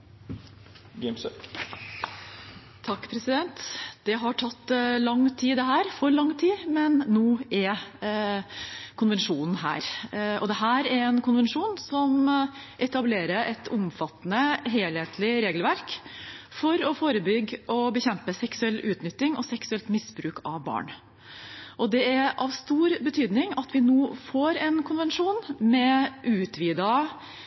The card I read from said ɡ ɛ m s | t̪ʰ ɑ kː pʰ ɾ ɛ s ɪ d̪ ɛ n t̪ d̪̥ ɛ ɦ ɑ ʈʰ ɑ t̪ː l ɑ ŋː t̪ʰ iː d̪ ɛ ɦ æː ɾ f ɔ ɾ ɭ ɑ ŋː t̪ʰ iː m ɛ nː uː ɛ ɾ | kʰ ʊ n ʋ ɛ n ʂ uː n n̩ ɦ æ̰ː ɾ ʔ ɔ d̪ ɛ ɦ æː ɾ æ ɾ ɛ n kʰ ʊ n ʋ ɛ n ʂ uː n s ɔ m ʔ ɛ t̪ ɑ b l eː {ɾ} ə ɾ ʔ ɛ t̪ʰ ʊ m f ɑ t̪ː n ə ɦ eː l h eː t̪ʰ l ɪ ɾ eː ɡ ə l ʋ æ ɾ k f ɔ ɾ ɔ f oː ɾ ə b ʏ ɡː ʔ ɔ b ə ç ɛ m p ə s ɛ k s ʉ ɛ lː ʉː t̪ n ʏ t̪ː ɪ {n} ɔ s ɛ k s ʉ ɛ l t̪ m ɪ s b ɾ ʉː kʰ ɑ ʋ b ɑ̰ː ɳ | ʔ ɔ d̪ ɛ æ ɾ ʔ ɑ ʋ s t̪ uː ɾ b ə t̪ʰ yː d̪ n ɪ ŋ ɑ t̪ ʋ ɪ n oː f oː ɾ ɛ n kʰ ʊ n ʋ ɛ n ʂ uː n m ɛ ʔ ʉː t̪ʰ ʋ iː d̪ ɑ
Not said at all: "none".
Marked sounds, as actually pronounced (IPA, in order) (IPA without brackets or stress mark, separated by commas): ɾ, ŋ